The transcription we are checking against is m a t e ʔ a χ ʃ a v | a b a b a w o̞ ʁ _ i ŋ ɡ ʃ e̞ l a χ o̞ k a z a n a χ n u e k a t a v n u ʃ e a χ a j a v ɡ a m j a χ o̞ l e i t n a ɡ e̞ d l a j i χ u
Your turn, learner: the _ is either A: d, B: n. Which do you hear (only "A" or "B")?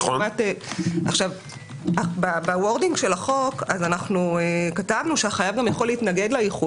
A